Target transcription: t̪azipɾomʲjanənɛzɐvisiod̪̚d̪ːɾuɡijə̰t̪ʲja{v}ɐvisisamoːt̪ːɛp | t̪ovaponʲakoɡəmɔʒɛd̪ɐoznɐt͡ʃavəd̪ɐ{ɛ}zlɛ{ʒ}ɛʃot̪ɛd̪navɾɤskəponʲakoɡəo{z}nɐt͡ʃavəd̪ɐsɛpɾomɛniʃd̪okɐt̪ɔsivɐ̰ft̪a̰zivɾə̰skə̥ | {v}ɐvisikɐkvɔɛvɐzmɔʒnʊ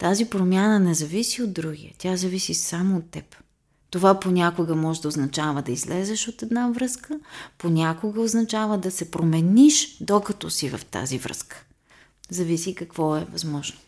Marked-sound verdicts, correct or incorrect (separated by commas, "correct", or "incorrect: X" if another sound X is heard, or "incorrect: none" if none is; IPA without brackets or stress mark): incorrect: z, incorrect: i, incorrect: z, correct, incorrect: z